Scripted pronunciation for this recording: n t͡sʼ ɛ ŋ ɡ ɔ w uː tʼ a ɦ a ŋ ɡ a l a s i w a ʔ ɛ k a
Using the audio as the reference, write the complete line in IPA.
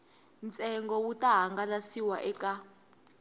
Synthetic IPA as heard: n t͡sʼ ɛ ŋ ɡ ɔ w u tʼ a ɦ a ŋ ɡ a l a s i w a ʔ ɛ k a